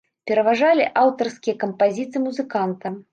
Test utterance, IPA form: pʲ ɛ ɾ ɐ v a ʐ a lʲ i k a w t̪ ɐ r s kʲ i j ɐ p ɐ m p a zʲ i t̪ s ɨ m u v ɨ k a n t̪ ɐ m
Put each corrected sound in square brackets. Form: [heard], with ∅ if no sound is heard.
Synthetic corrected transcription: pʲ ɛ ɾ ɐ v a ʐ a lʲ i [ʔ] a w t̪ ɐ r s kʲ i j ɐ [k] ɐ m p a zʲ i t̪ s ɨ m u [z] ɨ k a n t̪ ɐ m

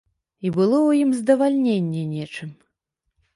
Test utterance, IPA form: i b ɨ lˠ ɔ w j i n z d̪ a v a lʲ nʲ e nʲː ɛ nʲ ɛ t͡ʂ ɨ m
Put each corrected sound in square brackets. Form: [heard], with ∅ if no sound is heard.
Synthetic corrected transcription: i b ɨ lˠ ɔ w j i [m] z d̪ [ɐ] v a lʲ nʲ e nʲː ɛ nʲ ɛ t͡ʂ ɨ m

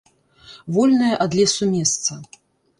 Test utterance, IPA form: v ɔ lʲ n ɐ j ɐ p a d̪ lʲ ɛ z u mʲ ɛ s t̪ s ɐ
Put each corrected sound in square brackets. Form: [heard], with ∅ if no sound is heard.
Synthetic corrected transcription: v ɔ lʲ n ɐ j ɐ [ʔ] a d̪ lʲ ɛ [s] u mʲ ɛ s t̪ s ɐ

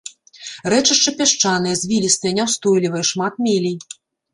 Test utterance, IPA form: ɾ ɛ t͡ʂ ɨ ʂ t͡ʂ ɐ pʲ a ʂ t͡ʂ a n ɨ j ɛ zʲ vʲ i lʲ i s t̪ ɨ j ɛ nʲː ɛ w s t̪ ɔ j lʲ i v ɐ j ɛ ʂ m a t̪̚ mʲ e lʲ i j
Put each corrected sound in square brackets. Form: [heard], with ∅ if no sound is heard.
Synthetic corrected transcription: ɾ ɛ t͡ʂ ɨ ʂ t͡ʂ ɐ pʲ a ʂ t͡ʂ a n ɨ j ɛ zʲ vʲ i lʲ i s t̪ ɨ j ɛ [nʲ] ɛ w s t̪ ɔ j lʲ i v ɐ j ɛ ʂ m a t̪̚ mʲ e lʲ i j

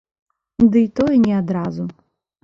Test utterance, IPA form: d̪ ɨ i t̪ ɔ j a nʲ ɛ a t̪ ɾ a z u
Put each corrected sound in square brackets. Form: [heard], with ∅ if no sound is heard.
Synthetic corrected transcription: d̪ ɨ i t̪ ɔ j [ɛ] nʲ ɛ a [d̪] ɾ a z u

